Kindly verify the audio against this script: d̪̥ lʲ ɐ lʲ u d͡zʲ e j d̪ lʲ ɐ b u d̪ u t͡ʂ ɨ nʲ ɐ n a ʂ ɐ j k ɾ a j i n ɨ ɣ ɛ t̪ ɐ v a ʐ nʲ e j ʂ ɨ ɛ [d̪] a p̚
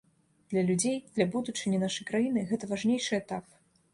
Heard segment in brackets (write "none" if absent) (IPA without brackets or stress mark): t̪